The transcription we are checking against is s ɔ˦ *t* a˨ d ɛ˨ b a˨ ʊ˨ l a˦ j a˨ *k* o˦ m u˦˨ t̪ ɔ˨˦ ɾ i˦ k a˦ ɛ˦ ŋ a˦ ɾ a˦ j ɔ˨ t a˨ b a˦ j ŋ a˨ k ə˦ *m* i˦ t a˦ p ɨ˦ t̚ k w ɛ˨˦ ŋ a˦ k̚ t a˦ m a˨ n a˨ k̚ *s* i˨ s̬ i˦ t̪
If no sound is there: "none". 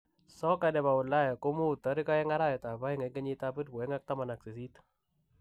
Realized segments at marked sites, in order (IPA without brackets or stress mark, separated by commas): k, k, ɲ, s